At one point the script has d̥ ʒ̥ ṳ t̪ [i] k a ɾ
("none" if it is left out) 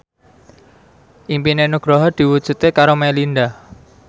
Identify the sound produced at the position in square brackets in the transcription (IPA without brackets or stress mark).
e